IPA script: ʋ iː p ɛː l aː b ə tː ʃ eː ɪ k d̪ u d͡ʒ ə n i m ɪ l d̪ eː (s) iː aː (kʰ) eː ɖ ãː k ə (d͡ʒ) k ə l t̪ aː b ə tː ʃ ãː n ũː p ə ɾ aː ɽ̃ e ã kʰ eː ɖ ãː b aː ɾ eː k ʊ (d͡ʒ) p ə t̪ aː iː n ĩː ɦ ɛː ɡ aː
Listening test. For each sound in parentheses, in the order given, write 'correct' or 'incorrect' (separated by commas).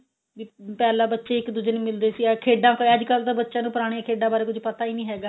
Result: correct, correct, correct, correct